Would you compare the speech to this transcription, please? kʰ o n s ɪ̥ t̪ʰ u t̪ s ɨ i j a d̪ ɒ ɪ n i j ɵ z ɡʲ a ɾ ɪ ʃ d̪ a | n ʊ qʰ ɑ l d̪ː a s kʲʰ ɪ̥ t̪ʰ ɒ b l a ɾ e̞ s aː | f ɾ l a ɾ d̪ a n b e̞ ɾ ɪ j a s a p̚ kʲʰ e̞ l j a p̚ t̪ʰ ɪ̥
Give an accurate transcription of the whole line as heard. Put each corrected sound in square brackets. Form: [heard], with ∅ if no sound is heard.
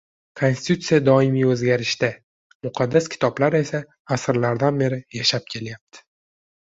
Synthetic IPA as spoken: kʰ o n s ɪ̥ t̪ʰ u t̪ s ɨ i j a d̪ ɒ ɪ [m] i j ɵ z ɡʲ a ɾ ɪ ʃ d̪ a | [m] ʊ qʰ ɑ [∅] d̪ː a s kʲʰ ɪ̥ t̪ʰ ɒ b l a ɾ e̞ s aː | [s] ɾ l a ɾ d̪ a n b e̞ ɾ ɪ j a [ʃ] a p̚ kʲʰ e̞ l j a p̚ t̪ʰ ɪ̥